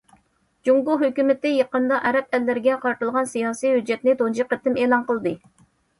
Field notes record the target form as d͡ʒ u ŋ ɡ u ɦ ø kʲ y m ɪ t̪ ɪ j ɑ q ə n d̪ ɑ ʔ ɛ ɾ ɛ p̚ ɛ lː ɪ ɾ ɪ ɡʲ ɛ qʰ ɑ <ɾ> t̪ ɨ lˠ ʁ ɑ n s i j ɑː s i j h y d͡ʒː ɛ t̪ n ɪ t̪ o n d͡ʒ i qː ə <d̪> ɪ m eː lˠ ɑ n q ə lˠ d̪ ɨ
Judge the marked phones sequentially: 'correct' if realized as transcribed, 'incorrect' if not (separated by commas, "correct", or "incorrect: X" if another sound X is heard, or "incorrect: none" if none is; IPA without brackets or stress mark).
correct, incorrect: t̪